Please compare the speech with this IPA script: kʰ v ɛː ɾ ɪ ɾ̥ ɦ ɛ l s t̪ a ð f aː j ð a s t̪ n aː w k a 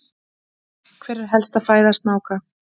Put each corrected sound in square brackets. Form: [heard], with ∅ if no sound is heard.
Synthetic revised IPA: kʰ v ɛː ɾ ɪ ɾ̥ ɦ ɛ l s t̪ a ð f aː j ð a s t̪ n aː w k a